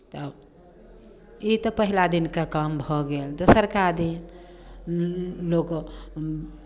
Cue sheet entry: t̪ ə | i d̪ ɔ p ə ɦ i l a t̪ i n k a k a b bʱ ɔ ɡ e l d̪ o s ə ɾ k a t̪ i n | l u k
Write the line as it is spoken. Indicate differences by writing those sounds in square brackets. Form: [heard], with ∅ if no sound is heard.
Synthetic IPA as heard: t̪ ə | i [t̪] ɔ p ə ɦ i l a [d̪] i n k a k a [m] bʱ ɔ ɡ e l d̪ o s ə ɾ k a [d̪] i n | l [o] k